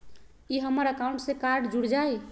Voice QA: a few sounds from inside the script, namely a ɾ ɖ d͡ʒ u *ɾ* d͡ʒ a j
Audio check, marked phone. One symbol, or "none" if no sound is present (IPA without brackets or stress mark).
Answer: ɽ